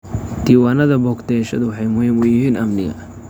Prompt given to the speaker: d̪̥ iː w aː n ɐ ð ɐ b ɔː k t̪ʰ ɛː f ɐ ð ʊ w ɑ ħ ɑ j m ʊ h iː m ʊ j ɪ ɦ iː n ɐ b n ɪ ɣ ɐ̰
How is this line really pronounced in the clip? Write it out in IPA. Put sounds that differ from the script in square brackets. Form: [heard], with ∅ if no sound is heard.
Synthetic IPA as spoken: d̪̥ iː w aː n ɐ ð ɐ b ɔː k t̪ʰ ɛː [ʃ] ɐ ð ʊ w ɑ ħ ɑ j m ʊ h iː m ʊ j ɪ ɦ iː n ɐ [m] n ɪ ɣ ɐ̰